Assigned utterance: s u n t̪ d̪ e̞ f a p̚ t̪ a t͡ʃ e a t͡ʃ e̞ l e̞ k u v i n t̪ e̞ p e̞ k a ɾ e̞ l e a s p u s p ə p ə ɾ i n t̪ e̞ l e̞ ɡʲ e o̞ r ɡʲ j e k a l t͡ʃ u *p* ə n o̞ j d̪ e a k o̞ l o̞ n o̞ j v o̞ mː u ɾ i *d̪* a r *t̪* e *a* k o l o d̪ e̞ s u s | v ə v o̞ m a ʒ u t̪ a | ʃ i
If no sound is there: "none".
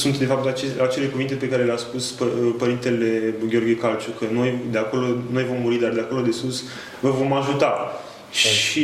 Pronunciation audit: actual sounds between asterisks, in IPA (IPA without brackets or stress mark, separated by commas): k, d̪, d̪, a